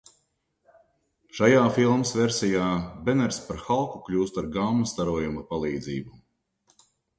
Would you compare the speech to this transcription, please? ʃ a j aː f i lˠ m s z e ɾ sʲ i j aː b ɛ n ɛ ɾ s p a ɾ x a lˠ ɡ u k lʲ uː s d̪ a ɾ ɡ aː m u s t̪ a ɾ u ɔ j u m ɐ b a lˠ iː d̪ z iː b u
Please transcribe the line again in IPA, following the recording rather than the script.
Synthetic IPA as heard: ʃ a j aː f i lˠ m s v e ɾ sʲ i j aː b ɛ n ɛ ɾ s p a ɾ x a lˠ k u k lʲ uː s t̪ a ɾ ɡ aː m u s t̪ a ɾ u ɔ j u m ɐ p a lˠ iː d̪ z iː b u